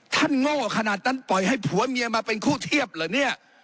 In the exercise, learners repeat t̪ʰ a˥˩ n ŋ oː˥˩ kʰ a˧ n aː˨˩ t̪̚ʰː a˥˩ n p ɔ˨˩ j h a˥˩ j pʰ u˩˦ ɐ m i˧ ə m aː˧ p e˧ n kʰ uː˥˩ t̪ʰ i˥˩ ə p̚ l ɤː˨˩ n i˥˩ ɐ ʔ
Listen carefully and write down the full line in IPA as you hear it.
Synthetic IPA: t̪ʰ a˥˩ n ŋ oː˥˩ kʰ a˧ n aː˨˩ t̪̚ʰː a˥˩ n p ɔ˨˩ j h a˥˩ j pʰ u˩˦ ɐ m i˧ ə m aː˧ p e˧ n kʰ uː˥˩ t̪ʰ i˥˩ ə p̚ l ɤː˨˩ n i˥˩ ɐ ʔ